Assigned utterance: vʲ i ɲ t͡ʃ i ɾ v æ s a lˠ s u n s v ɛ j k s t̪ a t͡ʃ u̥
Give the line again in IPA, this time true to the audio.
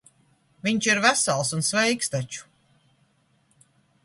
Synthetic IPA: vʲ i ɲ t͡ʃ i ɾ v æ s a lˠ s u n s v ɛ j k s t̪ a t͡ʃ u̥

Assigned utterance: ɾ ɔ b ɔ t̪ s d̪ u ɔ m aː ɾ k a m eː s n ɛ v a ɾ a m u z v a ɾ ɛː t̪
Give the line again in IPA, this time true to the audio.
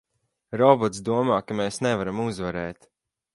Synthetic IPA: ɾ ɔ b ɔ t̪ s d̪ u ɔ m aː k a m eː s n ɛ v a ɾ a m u z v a ɾ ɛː t̪

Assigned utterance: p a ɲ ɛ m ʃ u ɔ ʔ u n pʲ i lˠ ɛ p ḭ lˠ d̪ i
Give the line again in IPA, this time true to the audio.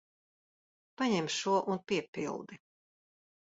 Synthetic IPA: p a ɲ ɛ m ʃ u ɔ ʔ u n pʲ i ɛ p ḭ lˠ d̪ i

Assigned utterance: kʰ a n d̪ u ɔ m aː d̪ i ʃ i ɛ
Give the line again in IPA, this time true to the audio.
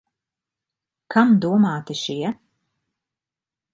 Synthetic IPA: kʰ a m d̪ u ɔ m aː t̪ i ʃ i ɛ

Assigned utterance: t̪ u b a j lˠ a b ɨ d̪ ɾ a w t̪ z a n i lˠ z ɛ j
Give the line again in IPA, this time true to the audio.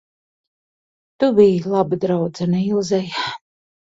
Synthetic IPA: t̪ u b i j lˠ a b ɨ d̪ ɾ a w d̪ z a n i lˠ z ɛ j

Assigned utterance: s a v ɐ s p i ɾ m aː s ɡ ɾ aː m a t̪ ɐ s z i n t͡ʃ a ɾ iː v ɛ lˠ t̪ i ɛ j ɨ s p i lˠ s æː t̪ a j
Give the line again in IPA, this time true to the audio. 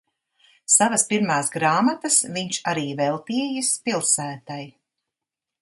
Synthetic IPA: s a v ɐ s p i ɾ m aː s ɡ ɾ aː m a t̪ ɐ s v i ɲ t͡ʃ a ɾ iː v ɛ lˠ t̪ i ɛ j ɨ s p i lˠ s æː t̪ a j

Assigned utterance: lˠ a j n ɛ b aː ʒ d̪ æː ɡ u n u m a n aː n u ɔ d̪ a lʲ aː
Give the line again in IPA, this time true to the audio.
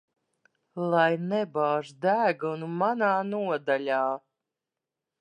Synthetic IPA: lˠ a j n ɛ b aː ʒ d̪ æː ɡ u n u m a n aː n u ɔ d̪ a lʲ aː

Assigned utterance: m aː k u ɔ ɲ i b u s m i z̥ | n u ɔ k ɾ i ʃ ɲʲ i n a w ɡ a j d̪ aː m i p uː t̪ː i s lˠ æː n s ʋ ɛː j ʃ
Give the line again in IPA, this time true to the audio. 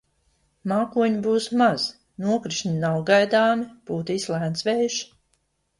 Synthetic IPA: m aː k u ɔ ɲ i b uː s m a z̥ | n u ɔ k ɾ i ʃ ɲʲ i n a w ɡ a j d̪ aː m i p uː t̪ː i s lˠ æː n s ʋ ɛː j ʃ

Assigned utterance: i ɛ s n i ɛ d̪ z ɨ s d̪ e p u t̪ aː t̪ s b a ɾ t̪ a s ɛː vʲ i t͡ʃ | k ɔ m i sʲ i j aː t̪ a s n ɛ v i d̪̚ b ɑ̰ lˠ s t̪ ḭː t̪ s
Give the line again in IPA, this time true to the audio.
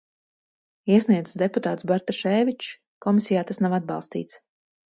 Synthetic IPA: i ɛ s n i ɛ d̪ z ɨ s d̪ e p u t̪ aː t̪ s b a ɾ t̪ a ʃ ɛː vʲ i t͡ʃ | k ɔ m i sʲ i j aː t̪ a s n a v a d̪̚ b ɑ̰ lˠ s t̪ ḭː t̪ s

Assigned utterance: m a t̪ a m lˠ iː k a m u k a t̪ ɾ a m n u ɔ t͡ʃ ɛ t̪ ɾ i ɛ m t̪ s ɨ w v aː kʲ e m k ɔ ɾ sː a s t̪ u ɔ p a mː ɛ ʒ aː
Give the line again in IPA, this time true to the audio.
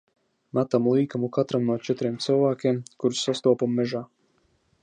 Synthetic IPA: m a t̪ a m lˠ iː k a m u k a t̪ ɾ a m n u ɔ t͡ʃ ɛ t̪ ɾ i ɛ m t̪ s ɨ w v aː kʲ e m k u ɾ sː a s t̪ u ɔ p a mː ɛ ʒ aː

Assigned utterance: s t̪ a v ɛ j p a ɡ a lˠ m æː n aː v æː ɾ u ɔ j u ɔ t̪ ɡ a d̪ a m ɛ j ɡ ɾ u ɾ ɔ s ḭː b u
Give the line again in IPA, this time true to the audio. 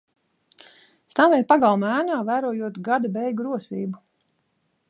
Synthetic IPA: s t̪ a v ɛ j p a ɡ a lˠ m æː n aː v æː ɾ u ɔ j u ɔ t̪ ɡ a d̪ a b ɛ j ɡ ɾ u ɔ s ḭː b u

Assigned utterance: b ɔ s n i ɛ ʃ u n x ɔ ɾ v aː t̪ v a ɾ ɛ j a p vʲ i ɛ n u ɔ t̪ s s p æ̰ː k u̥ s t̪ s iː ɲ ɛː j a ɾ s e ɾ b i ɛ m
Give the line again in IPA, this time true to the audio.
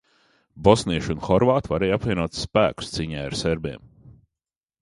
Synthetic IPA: b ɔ s n i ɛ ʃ u n x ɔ ɾ v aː t̪ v a ɾ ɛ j a p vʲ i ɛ n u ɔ t̪ s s p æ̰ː k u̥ s t̪ s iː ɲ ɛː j a ɾ s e ɾ b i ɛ m

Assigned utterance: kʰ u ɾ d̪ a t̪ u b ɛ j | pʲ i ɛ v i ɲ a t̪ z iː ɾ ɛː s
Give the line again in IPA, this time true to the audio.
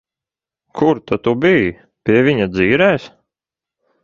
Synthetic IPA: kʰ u ɾ t̪ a t̪ u b i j | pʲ i ɛ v i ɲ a d̪ z iː ɾ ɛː s

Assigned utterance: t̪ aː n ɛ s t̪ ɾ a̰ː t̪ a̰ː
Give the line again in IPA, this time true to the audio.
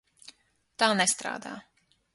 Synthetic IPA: t̪ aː n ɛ s t̪ ɾ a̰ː d̪ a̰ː

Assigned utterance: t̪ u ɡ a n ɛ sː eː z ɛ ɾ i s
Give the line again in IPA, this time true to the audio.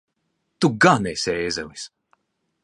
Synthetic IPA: t̪ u ɡ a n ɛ s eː z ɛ l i s

